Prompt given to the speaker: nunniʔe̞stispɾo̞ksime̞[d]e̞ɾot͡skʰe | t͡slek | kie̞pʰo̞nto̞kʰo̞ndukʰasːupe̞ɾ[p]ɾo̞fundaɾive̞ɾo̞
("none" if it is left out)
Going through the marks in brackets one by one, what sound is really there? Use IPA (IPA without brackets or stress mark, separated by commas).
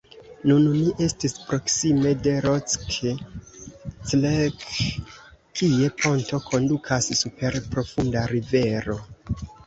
d, p